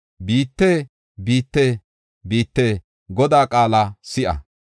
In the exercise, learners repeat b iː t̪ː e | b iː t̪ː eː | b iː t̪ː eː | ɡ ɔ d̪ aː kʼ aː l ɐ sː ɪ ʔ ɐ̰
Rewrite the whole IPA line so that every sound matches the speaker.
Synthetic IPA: b iː t̪ː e | b iː t̪ː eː | b iː t̪ː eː | ɡ ɔ d̪ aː kʼ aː l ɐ s ɪ ʔ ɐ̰